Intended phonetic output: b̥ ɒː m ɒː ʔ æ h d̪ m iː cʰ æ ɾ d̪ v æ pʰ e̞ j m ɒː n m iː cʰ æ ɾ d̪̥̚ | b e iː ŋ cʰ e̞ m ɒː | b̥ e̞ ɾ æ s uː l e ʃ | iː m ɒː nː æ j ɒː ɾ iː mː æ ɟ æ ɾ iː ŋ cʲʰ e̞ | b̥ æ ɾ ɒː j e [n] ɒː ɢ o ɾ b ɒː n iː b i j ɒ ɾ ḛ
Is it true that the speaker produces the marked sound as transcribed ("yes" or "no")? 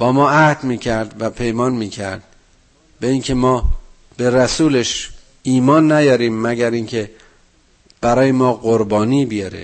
no